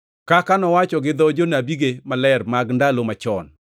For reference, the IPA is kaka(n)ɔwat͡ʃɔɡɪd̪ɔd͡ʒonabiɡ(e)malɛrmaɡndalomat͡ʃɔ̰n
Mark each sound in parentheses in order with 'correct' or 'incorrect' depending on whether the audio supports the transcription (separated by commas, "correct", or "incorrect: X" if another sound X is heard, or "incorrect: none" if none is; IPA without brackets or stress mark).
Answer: correct, correct